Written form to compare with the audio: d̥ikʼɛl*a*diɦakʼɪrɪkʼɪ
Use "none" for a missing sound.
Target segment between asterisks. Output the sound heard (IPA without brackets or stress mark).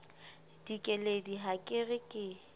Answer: e